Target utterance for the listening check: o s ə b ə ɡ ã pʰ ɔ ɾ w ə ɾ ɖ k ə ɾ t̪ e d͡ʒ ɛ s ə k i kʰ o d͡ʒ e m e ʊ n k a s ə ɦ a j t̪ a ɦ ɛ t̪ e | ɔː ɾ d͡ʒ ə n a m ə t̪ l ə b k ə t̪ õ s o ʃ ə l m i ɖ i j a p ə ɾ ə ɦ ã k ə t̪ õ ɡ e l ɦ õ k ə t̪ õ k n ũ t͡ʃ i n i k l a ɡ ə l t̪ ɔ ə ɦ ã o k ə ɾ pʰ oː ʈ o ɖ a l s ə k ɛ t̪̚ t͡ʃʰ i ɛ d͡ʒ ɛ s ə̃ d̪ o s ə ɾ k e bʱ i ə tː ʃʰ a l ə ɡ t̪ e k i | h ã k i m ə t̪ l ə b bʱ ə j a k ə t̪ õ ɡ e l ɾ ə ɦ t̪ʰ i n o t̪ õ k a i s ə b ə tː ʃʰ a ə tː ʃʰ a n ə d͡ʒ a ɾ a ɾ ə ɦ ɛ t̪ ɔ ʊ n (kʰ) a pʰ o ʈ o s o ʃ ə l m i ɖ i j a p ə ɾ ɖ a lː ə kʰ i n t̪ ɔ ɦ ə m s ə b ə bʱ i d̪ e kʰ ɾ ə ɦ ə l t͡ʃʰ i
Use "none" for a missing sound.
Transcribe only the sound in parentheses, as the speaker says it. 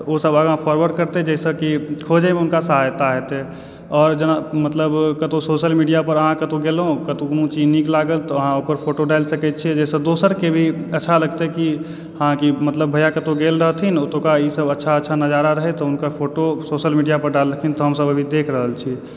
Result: k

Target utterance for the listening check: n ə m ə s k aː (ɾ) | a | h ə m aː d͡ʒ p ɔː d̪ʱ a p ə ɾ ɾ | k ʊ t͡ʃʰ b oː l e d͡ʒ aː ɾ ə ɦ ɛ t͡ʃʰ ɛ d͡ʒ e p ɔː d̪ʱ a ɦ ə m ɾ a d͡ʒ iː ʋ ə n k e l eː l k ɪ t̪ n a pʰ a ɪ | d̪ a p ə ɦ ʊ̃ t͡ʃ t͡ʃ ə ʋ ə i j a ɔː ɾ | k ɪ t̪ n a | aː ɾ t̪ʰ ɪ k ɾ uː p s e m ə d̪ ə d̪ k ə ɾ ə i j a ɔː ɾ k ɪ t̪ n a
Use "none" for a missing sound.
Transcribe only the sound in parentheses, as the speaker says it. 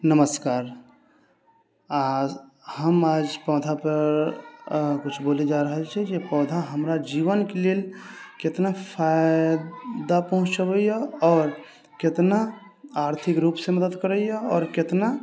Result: ɾ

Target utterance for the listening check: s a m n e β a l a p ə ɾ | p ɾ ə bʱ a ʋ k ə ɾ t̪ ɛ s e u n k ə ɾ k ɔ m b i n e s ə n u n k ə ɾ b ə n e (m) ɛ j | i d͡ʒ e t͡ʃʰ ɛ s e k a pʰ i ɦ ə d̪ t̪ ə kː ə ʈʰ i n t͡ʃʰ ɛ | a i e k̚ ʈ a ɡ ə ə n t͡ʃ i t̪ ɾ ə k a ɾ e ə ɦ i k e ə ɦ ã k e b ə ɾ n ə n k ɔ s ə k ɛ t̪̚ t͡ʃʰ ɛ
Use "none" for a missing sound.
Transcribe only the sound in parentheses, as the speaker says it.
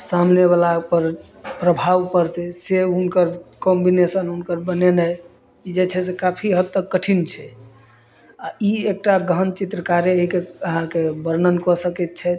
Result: n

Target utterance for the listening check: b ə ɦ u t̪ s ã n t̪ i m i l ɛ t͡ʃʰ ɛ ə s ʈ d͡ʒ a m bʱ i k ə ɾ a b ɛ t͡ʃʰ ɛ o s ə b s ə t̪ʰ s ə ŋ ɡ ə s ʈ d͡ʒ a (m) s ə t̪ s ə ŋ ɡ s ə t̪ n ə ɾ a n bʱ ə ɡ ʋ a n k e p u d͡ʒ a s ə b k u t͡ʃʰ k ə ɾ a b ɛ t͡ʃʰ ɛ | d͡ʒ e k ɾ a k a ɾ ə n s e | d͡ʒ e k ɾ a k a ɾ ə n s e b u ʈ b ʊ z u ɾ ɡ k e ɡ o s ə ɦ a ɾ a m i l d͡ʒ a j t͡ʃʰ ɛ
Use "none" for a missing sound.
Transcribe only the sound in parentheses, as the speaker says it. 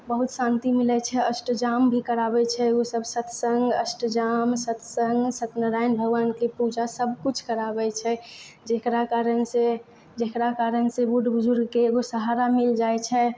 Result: m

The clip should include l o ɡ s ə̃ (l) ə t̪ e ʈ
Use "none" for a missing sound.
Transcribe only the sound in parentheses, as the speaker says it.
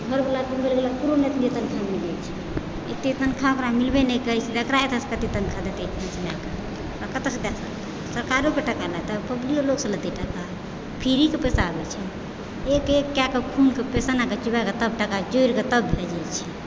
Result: l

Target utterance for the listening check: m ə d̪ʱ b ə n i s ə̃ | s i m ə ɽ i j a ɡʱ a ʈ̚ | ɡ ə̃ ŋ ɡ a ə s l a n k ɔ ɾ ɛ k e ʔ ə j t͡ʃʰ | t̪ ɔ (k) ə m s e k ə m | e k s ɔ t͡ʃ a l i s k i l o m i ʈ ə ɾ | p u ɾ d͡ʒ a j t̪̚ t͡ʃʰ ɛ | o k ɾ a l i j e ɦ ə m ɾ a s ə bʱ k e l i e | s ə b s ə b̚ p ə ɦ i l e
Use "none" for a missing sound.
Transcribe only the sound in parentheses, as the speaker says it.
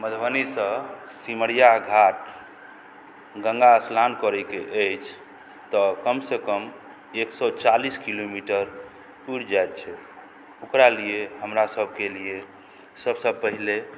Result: k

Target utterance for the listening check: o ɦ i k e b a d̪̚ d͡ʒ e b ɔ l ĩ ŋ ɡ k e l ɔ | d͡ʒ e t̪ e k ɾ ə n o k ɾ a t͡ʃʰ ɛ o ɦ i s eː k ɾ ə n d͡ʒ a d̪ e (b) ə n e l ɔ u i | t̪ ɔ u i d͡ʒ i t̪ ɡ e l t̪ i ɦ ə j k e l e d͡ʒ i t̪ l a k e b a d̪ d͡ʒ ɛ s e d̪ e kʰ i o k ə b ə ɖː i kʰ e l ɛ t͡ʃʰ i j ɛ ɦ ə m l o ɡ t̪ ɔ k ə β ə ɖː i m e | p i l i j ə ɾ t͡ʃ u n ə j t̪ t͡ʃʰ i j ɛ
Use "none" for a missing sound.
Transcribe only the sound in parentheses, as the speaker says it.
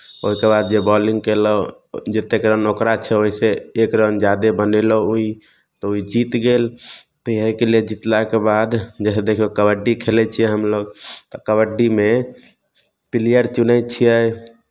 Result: b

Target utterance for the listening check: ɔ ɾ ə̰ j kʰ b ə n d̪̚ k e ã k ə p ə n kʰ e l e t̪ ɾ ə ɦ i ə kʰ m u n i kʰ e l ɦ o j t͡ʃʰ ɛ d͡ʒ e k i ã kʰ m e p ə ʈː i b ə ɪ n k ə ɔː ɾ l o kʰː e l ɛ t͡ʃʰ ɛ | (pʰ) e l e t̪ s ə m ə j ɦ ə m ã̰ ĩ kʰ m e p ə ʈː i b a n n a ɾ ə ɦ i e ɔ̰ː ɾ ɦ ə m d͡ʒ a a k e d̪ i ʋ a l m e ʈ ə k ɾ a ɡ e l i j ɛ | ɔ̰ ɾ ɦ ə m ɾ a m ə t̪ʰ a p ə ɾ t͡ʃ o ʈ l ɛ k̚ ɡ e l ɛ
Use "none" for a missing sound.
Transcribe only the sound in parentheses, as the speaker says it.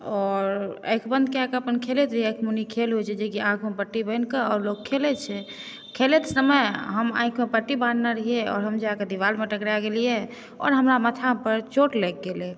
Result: kʰ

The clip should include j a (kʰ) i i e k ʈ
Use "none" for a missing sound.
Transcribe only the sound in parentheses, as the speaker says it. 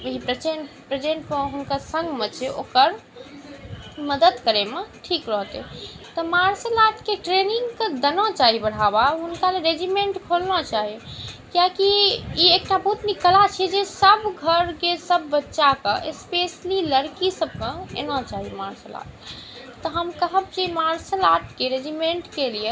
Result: k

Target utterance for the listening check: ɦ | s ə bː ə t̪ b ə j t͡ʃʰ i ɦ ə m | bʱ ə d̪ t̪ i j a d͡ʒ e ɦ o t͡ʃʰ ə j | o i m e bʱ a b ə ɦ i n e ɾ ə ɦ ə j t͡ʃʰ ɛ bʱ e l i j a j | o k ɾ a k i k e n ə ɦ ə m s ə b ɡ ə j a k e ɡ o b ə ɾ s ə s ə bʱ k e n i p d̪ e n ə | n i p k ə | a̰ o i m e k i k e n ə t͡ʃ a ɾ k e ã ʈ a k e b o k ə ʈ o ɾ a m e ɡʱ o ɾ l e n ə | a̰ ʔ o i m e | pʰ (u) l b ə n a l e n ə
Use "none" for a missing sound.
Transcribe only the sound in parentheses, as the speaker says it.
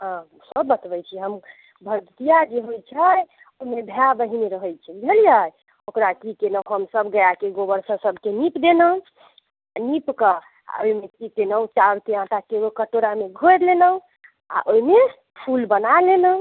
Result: u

